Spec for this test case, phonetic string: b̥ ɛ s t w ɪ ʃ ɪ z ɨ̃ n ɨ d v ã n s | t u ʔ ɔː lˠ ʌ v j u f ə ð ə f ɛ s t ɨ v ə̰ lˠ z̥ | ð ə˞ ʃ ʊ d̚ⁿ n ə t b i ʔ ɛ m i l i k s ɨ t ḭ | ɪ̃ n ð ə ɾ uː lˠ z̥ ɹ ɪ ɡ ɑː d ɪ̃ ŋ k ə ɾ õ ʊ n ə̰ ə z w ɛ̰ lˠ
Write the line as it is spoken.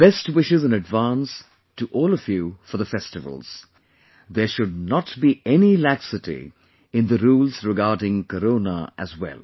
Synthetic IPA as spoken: b̥ ɛ s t w ɪ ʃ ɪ z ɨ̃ n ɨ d v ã n s | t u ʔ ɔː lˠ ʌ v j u f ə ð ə f ɛ s t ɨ v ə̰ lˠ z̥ | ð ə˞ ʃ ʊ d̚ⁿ n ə t b i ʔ ɛ n i l æ k s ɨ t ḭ | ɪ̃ n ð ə ɾ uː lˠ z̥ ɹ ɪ ɡ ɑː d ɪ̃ ŋ k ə ɾ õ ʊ n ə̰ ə z w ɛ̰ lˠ